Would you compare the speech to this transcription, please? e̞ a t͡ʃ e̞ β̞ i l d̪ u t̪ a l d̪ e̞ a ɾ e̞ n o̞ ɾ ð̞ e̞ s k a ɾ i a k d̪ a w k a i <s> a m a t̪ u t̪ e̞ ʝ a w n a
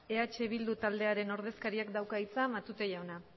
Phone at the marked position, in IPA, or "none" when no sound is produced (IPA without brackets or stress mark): t͡s